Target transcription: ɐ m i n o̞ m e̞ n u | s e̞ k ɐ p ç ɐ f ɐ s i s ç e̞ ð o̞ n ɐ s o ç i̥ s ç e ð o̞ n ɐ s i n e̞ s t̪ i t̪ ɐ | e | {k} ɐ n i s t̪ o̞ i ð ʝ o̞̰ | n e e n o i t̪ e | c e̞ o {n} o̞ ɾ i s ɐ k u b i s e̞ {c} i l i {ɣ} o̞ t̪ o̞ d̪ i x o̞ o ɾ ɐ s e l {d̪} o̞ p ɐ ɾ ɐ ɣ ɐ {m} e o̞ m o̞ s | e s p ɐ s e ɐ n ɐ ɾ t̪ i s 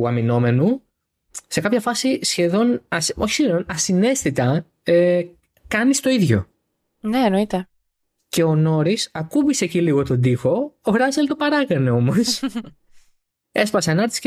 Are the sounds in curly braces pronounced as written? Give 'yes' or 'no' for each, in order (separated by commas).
yes, yes, yes, yes, no, no